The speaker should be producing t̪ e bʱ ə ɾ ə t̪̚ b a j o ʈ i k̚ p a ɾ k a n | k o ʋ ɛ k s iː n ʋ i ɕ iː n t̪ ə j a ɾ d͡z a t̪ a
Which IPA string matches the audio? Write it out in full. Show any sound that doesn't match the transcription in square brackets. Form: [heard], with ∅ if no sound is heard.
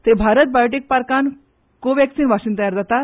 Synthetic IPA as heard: t̪ e bʱ [a] ɾ ə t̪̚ b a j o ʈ i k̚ p a ɾ k a n | k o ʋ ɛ k s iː n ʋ [a] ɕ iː n t̪ ə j a ɾ d͡z a t̪ a